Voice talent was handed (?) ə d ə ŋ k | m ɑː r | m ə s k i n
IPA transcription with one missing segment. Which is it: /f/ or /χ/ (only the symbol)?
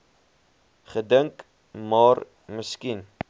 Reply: χ